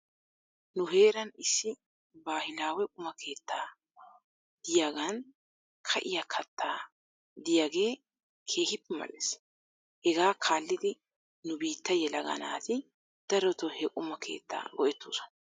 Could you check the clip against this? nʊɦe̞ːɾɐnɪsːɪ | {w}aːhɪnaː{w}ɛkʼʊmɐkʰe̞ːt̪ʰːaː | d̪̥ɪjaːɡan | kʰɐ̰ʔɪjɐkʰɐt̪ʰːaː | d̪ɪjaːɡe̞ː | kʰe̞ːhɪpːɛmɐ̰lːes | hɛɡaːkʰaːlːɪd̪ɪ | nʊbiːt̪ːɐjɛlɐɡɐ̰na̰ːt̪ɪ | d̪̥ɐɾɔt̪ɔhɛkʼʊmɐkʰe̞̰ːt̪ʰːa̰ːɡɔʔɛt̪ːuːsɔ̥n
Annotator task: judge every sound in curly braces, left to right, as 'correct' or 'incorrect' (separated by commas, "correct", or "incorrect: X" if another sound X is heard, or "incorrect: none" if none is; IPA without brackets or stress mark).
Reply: incorrect: b, correct